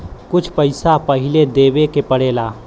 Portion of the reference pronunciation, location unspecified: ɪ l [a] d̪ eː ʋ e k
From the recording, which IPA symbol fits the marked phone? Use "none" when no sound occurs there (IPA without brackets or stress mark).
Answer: e